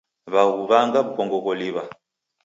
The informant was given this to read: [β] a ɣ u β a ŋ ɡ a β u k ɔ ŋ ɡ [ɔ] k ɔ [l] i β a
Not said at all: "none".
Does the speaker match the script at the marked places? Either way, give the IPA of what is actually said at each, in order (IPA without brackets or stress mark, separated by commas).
β, ɔ, l